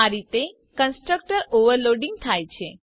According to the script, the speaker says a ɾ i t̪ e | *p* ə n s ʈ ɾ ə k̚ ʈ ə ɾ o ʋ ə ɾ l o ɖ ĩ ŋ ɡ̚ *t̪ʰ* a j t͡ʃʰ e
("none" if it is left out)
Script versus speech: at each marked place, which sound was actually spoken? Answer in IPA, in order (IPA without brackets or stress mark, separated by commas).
k, t̪ʰ